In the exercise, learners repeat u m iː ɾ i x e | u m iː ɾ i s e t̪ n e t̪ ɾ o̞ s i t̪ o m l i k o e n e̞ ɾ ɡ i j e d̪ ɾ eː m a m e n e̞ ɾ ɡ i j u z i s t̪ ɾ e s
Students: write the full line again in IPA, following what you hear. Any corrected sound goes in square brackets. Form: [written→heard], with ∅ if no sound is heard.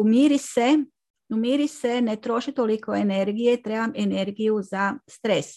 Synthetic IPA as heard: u m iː ɾ i [x→s] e | u m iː ɾ i s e [t̪→∅] n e t̪ ɾ o̞ [s→ʃ] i t̪ o [m→∅] l i k o e n e̞ ɾ ɡ i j e [d̪→t̪] ɾ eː [m→b] a m e n e̞ ɾ ɡ i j u z [i→a] s t̪ ɾ e s